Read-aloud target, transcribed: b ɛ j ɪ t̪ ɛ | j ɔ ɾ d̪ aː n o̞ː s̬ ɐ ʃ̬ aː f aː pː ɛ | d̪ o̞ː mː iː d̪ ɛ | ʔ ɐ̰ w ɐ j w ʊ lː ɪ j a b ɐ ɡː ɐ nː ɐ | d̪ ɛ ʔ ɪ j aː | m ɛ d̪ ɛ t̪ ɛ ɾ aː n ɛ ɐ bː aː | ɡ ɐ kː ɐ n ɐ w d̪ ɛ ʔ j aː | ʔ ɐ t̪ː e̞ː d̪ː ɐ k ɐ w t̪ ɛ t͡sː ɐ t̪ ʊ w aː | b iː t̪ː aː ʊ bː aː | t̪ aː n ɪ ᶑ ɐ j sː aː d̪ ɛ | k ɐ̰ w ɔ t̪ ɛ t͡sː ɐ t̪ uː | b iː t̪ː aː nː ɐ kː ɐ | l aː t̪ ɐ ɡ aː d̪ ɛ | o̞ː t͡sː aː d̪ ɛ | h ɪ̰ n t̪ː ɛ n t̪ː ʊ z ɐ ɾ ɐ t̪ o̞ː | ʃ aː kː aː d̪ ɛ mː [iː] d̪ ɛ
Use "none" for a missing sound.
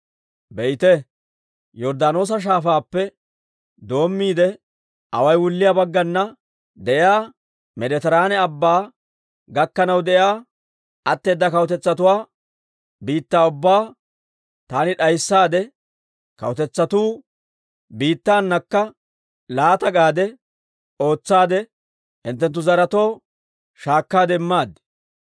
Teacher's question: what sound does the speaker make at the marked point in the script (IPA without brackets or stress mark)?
aː